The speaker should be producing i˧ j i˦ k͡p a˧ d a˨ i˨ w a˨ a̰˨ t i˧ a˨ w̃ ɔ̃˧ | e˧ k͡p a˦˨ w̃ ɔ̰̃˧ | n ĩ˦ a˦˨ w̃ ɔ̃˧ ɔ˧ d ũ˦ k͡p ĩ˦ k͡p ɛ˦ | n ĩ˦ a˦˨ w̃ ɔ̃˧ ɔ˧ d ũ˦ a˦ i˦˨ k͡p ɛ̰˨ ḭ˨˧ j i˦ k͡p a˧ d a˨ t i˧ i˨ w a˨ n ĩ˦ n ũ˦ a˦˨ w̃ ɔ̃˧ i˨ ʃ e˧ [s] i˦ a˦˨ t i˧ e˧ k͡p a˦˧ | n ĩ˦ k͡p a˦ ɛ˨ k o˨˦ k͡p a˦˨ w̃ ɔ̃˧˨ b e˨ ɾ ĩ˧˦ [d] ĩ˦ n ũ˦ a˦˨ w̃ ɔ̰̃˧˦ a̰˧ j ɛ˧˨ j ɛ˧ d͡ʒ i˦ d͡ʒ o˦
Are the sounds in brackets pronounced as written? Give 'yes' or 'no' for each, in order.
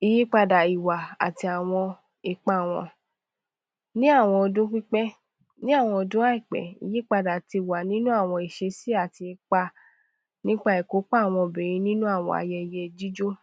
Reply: yes, no

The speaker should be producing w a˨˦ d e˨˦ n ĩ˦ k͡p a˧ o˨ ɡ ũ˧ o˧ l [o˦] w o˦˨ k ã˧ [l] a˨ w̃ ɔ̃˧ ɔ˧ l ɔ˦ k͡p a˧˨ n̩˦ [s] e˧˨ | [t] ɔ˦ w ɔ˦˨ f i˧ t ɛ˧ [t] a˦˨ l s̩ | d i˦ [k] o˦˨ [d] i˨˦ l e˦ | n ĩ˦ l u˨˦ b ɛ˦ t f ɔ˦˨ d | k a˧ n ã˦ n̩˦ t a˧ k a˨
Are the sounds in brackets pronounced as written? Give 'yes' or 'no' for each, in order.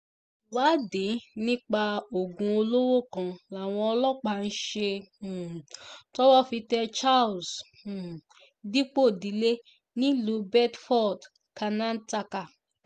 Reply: yes, yes, no, yes, no, no, yes

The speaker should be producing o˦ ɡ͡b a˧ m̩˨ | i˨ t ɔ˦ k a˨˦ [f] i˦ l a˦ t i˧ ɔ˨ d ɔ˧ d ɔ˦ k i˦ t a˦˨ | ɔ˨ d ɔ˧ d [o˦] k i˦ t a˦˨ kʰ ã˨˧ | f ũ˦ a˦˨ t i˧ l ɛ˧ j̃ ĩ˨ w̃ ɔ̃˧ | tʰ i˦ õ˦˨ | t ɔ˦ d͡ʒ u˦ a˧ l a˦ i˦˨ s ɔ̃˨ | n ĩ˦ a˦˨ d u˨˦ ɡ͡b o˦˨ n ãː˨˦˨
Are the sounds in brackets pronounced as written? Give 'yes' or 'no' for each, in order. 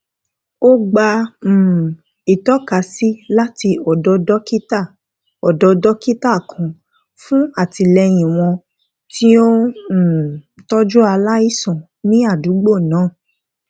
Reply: no, no

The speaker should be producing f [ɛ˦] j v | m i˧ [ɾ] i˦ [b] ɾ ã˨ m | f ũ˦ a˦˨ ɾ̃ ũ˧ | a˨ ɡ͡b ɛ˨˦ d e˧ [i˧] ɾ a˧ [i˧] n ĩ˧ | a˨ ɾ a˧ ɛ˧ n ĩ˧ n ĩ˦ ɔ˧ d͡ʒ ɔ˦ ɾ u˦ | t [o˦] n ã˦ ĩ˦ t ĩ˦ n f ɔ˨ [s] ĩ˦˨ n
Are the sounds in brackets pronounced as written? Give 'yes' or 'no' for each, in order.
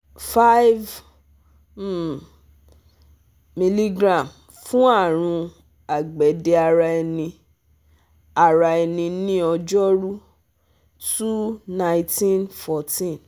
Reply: no, no, no, no, no, no, no

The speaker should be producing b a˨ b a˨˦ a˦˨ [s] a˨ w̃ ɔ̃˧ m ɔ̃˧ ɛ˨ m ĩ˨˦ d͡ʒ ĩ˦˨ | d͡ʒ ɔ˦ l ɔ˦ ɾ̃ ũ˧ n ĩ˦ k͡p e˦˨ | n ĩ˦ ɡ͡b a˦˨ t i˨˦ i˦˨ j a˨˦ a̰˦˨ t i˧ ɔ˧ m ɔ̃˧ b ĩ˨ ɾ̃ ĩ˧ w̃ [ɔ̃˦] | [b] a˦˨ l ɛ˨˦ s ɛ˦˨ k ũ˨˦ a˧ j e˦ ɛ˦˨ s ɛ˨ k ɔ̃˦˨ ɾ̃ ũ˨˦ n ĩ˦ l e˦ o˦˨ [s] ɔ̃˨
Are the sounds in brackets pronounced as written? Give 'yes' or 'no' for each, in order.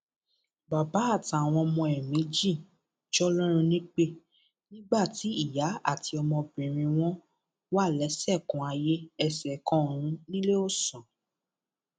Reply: no, yes, no, yes

